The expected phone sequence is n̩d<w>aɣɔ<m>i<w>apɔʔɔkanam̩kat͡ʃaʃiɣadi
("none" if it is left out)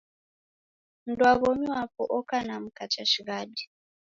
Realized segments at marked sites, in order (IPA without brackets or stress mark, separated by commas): w, m, w